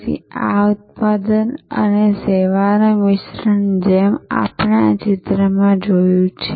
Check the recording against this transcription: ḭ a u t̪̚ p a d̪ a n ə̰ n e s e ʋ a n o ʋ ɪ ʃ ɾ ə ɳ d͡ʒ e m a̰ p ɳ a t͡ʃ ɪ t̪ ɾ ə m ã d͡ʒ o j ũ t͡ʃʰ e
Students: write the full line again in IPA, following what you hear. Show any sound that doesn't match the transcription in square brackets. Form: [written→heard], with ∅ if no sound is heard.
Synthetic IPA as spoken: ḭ a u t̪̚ p a d̪ [a→ə] n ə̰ n e s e ʋ a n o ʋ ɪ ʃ ɾ ə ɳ d͡ʒ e m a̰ p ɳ a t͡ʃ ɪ t̪ ɾ ə m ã d͡ʒ o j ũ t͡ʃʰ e